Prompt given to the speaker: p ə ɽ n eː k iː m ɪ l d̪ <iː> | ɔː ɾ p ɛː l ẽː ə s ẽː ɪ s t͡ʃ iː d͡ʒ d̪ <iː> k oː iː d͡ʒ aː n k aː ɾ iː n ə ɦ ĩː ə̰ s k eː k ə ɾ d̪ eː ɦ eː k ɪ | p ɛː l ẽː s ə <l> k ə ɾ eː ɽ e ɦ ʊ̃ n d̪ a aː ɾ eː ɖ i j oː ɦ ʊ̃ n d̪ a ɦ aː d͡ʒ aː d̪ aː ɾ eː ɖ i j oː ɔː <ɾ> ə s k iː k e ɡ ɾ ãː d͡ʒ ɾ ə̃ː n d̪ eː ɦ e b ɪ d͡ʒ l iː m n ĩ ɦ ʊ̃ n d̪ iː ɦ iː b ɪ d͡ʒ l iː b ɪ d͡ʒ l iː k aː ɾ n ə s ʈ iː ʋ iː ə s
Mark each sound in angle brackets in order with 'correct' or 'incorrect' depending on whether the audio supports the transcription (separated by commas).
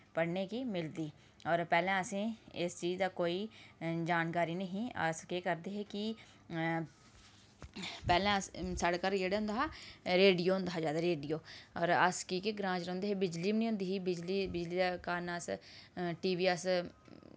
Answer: correct, incorrect, incorrect, correct